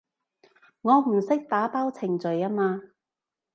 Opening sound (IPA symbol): ŋ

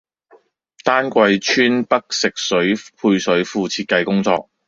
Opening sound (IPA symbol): t̪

